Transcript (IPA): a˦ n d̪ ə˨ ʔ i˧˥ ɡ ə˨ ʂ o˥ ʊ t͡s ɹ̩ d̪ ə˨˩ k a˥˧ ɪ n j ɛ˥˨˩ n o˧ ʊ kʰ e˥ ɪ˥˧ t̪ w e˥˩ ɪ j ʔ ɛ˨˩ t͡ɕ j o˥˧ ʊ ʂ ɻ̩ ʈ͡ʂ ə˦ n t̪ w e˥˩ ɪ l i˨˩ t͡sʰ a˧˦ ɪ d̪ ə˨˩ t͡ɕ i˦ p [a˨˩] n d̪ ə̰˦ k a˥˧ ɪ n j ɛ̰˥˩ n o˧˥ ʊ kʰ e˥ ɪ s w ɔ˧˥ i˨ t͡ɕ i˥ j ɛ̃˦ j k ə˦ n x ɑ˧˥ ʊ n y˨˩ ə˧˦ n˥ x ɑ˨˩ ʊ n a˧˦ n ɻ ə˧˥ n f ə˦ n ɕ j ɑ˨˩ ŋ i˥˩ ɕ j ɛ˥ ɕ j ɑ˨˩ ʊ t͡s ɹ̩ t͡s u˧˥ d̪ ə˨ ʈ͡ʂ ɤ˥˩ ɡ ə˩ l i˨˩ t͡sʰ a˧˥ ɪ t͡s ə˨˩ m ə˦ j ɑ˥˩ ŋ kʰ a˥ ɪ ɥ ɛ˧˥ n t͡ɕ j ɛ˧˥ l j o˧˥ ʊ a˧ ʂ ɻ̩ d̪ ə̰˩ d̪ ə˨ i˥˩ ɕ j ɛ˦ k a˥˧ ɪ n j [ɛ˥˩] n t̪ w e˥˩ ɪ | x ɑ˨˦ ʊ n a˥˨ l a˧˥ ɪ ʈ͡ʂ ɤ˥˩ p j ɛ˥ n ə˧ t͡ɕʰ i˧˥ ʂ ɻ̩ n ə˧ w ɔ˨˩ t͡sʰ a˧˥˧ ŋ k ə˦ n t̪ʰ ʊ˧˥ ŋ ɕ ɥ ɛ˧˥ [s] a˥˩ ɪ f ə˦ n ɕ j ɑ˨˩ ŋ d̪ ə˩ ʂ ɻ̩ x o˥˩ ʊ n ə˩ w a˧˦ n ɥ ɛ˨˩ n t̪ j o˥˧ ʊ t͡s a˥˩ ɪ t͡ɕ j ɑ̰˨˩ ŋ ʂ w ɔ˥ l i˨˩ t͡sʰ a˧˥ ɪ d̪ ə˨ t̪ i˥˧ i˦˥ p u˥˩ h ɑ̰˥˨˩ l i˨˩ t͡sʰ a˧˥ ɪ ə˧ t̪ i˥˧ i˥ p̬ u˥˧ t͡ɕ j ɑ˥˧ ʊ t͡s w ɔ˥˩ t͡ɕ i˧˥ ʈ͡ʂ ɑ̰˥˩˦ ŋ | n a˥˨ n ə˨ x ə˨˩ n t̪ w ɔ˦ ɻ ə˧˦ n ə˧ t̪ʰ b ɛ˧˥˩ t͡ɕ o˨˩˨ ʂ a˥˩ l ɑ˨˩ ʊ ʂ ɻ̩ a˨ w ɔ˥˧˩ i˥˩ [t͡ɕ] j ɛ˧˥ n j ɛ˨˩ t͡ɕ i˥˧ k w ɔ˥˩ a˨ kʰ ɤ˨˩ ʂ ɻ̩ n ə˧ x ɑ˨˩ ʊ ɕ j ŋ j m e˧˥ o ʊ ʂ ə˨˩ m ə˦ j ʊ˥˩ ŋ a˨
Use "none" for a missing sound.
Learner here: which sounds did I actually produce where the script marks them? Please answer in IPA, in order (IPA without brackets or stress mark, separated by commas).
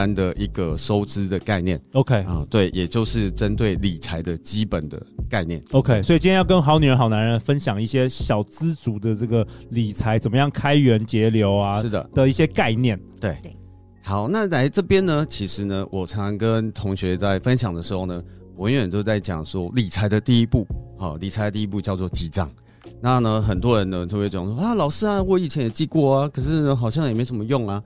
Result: ə˨˩, ɛ˥˩, t͡s, t͡ɕʰ